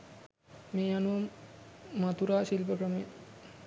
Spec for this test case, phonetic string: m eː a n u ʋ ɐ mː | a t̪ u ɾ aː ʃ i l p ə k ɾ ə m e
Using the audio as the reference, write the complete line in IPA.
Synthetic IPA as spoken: m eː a n u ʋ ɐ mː | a t̪ u ɾ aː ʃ i l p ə k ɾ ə m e